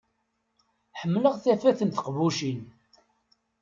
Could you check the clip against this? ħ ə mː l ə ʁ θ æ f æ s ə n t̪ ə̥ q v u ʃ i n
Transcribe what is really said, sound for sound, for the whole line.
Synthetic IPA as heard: ħ ə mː l ə ʁ θ æ f æ θ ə n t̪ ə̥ q v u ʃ i n